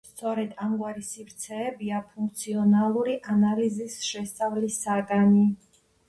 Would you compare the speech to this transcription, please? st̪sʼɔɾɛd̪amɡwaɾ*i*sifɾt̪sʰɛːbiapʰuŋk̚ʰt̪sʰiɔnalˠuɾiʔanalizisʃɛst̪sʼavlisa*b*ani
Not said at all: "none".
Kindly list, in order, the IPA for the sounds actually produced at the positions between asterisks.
i, ɡ

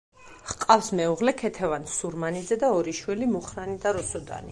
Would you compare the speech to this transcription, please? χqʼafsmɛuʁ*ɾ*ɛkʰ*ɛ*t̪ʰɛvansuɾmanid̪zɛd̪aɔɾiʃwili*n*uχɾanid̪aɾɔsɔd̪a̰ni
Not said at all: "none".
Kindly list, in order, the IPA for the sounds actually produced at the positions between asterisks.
l, ɛ, m

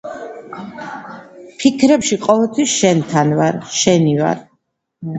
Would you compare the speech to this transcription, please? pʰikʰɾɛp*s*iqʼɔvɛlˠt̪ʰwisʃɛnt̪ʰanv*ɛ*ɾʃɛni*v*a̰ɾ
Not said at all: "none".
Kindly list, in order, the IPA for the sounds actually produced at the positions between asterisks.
ʃ, a, v

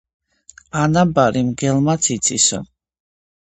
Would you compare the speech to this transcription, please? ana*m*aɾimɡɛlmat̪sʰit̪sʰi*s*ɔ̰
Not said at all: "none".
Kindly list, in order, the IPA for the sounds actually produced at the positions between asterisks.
b, s

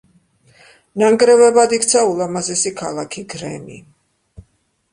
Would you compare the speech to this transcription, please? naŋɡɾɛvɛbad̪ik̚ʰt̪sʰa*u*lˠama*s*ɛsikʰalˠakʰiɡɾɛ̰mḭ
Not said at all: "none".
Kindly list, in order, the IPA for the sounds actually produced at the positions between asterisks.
u, z

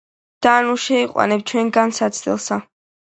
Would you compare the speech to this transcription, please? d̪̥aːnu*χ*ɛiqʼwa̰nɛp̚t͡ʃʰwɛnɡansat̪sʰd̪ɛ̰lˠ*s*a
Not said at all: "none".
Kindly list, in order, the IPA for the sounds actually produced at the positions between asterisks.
ʃ, s

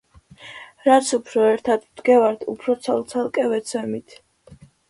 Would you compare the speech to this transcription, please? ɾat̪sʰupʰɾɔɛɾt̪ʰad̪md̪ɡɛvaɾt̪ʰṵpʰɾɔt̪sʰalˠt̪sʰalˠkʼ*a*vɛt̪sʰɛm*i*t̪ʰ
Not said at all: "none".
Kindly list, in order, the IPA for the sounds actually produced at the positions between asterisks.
ɛ, i

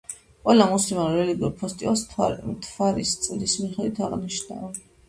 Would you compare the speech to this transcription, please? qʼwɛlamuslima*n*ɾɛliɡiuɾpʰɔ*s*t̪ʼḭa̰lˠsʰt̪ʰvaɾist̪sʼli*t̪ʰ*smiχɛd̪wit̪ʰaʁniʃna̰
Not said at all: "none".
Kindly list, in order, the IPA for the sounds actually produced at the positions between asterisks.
n, s, none

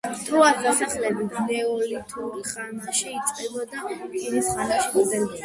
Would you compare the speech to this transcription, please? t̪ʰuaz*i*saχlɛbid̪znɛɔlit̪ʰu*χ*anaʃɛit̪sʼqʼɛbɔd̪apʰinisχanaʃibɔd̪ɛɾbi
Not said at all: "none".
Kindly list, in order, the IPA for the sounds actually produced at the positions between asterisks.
a, χ

